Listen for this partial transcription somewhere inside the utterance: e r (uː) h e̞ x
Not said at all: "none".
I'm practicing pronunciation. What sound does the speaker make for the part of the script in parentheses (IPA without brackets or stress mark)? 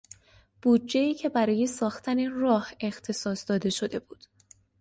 ɒː